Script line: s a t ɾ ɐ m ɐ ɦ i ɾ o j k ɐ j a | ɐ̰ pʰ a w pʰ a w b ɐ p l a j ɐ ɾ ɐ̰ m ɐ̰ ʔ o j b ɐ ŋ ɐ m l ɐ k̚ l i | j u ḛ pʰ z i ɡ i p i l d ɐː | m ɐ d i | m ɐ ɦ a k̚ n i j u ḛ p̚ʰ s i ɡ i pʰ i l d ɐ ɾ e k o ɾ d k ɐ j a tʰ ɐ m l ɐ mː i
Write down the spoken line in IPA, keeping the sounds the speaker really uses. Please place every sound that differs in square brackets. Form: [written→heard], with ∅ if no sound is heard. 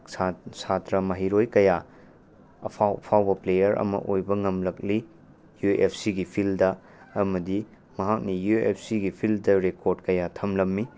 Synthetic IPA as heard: s a t ɾ ɐ m ɐ ɦ i ɾ o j k ɐ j a | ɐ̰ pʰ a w pʰ a w b ɐ p l [a→e] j ɐ ɾ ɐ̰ m ɐ̰ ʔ o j b ɐ ŋ ɐ m l ɐ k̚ l i | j u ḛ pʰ [z→s] i ɡ i [p→pʰ] i l d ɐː | m ɐ d i | m ɐ ɦ a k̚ n i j u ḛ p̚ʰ s i ɡ i pʰ i l d ɐ ɾ e k o ɾ d k ɐ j a tʰ ɐ m l ɐ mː i